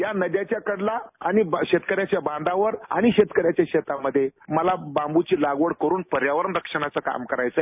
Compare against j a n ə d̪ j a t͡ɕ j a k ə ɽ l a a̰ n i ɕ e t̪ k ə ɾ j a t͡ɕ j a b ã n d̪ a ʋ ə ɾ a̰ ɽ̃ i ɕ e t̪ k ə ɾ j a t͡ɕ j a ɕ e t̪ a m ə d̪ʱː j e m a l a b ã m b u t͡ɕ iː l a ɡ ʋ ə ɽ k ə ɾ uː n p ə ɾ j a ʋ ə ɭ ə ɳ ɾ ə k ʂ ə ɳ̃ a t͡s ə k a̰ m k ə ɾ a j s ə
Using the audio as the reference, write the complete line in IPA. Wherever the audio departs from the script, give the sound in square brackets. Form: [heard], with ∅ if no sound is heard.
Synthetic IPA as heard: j a n ə d̪ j a t͡ɕ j a k ə ɽ l a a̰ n i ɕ e t̪ k ə ɾ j a t͡ɕ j a b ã n d̪ a ʋ ə ɾ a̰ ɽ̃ i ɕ e t̪ k ə ɾ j a t͡ɕ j a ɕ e t̪ a m ə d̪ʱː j e m [ə] l a b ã m b u t͡ɕ iː l a ɡ ʋ ə ɽ k ə ɾ uː n p ə ɾ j a ʋ ə [ɾ] ə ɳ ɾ ə k ʂ ə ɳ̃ a t͡s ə k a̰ m k ə ɾ a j [t͡s] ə

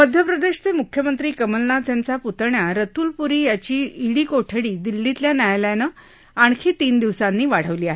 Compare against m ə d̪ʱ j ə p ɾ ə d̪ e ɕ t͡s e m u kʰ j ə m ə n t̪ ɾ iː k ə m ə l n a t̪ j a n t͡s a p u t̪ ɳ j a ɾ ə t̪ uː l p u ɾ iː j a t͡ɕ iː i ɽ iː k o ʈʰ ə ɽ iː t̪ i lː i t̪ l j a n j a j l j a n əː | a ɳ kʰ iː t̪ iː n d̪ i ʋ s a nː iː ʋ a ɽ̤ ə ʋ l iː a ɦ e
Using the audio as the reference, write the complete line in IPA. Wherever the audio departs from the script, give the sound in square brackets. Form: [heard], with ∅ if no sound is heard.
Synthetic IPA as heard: m ə d̪ʱ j ə p ɾ ə d̪ e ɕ t͡s e m u kʰ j ə m ə n t̪ ɾ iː k ə m ə l n a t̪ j a n t͡s a p u t̪ ɳ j a ɾ ə t̪ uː l p u ɾ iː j a t͡ɕ iː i ɽ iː k o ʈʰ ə ɽ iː [d̪] i lː i t̪ l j a n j a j l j a n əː | a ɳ kʰ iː t̪ iː n d̪ i ʋ s a nː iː ʋ a ɽ̤ ə ʋ l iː a ɦ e

